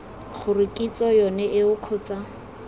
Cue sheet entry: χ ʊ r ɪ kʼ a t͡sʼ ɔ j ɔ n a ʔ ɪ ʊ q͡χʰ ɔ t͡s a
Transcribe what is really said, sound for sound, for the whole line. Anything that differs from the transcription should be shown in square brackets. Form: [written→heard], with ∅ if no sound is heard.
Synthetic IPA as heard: χ ʊ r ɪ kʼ [a→i] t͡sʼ ɔ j ɔ n [a→ɛ] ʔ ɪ ʊ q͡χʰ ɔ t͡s a